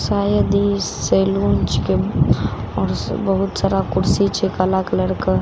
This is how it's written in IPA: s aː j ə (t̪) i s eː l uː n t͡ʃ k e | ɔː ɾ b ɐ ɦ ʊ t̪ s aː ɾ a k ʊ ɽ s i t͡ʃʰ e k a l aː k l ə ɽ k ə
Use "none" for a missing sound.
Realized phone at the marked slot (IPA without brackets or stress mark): d̪